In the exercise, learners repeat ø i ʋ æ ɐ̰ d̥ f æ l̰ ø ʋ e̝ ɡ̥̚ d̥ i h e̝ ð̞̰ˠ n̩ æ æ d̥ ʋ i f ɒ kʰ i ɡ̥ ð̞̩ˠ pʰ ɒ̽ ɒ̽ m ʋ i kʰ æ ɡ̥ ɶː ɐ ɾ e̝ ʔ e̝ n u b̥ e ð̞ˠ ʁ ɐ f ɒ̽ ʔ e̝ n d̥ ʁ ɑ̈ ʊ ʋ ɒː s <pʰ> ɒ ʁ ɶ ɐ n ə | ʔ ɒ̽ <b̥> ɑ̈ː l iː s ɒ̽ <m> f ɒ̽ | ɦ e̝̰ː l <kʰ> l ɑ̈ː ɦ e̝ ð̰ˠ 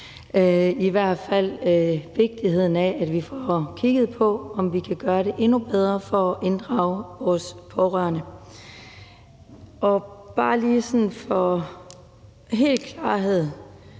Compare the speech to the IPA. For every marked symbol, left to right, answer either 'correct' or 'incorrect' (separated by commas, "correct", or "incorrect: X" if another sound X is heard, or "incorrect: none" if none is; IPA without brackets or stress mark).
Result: correct, correct, incorrect: n, correct